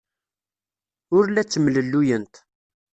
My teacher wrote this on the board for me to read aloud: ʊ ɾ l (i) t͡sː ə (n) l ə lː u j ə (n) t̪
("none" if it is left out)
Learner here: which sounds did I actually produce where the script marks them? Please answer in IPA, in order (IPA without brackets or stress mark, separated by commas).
æ, m, n